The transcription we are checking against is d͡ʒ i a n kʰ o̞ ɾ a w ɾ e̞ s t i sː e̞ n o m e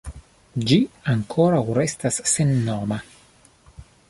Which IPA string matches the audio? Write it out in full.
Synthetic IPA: d͡ʒ i a ŋ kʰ o̞ ɾ a w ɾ e̞ s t a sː e̞ nː o m a